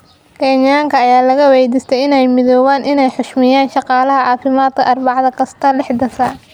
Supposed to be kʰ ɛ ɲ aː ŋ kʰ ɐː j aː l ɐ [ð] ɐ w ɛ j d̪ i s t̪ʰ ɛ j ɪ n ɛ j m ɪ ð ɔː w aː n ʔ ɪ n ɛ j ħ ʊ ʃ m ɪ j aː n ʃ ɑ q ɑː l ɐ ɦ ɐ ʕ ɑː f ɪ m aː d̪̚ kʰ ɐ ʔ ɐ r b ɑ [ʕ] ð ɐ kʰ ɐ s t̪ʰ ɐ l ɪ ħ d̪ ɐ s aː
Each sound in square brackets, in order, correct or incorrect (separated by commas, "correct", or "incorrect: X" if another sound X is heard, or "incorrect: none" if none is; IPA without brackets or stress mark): incorrect: ɣ, correct